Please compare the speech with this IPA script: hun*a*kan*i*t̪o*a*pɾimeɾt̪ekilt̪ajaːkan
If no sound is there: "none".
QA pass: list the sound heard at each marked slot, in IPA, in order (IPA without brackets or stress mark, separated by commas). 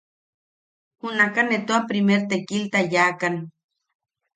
a, e, a